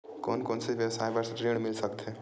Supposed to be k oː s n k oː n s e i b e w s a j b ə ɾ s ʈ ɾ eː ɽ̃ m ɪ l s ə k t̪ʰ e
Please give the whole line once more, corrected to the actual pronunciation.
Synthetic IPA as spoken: k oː n k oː n s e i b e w s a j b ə ɾ s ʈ ɾ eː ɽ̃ m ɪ l s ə k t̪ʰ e